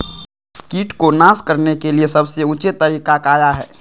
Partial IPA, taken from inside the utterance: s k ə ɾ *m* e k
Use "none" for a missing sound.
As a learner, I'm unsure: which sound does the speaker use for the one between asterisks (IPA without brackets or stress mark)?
n